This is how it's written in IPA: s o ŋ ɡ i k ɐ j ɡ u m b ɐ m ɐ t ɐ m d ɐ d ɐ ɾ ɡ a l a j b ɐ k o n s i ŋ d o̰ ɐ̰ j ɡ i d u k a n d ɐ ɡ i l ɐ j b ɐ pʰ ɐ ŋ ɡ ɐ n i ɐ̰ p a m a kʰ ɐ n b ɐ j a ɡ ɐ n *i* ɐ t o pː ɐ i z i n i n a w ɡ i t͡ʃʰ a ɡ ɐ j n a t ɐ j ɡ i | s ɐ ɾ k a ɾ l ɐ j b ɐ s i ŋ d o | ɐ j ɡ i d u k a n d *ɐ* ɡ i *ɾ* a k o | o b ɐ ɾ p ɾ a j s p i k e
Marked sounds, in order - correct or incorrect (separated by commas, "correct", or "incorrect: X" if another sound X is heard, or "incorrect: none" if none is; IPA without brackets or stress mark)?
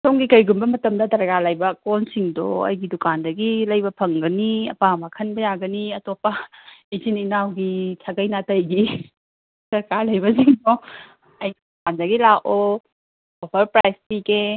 correct, correct, incorrect: l